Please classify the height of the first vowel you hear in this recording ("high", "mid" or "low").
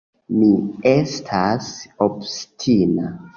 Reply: high